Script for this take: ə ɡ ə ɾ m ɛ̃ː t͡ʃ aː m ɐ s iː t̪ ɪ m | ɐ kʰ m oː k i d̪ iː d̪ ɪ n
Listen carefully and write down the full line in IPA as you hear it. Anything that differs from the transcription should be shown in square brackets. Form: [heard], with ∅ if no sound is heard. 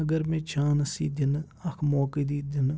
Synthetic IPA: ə ɡ ə ɾ m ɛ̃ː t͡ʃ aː [n] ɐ s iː [d̪] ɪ [n] | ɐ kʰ m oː k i d̪ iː d̪ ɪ n